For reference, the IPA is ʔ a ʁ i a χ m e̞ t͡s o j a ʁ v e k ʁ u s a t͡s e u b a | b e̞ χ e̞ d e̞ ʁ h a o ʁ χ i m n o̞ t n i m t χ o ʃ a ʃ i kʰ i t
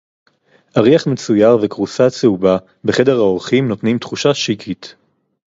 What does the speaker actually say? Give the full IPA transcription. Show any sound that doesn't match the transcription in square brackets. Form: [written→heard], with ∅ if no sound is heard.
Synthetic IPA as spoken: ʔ a ʁ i a χ m e̞ t͡s [o→u] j a ʁ v e k ʁ u s a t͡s e u b a | b e̞ χ e̞ d e̞ ʁ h a o ʁ χ i m n o̞ t n i m t χ [o→u] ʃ a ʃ i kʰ i t